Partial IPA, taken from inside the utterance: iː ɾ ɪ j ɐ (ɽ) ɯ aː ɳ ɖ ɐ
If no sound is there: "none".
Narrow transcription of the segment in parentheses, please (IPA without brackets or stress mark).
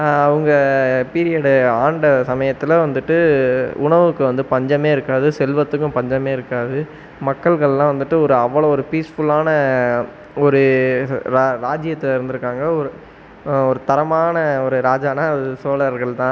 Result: ɽ